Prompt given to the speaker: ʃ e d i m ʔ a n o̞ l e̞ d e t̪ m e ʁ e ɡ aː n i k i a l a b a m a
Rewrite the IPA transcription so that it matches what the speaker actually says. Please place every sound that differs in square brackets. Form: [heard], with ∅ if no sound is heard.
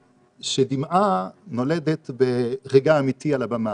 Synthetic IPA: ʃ e d i m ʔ a n o̞ l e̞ d e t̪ [b] e ʁ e ɡ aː [m] i [t] i a l a b a m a